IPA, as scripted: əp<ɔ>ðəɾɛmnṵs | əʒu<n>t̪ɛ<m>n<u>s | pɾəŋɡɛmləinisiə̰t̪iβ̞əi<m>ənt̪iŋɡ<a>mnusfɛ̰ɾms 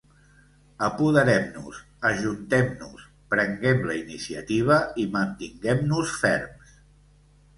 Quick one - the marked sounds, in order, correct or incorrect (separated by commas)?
incorrect, correct, correct, correct, correct, incorrect